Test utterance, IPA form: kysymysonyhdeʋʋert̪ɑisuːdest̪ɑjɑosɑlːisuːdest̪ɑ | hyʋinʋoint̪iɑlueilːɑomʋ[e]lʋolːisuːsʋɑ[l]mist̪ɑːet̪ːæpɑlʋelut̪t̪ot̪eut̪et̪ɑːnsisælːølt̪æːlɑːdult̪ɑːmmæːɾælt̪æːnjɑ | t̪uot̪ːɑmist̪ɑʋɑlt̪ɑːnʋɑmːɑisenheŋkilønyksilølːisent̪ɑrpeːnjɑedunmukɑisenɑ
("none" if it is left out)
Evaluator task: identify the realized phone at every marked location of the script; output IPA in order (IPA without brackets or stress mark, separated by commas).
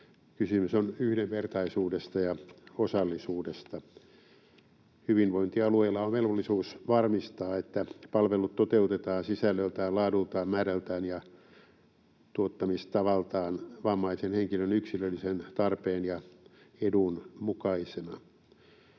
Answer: e, r